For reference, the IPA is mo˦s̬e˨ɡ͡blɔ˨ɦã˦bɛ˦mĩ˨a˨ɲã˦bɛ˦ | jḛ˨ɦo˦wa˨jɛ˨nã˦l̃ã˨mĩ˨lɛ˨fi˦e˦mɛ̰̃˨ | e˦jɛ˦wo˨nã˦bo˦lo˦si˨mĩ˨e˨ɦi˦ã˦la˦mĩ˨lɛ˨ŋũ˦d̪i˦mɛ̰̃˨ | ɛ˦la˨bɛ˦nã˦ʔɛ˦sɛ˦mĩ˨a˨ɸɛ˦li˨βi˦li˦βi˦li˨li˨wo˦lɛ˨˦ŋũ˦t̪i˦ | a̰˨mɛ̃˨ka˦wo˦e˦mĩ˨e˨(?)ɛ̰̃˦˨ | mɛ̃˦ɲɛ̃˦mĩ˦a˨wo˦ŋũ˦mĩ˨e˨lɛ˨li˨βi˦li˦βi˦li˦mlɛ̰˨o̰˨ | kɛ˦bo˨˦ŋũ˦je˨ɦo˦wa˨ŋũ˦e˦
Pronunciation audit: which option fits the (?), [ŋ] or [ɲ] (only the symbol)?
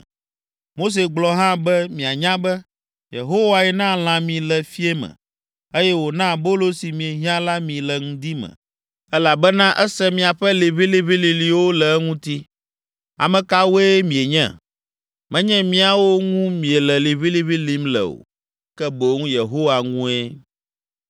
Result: ɲ